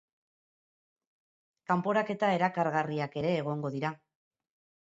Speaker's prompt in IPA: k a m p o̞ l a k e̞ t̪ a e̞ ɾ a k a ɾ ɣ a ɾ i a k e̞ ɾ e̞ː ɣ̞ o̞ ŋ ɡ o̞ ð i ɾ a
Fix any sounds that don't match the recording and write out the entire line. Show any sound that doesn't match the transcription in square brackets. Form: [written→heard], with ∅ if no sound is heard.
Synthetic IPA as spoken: k a m p o̞ [l→ɾ] a k e̞ t̪ a e̞ ɾ a k a ɾ ɣ a [ɾ→r] i a k e̞ ɾ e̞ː ɣ̞ o̞ ŋ ɡ o̞ ð i ɾ a